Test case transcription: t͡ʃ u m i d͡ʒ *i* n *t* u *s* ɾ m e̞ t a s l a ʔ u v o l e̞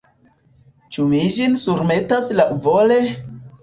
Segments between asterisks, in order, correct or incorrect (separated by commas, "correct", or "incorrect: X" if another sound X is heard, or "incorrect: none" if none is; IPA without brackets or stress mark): correct, incorrect: s, incorrect: none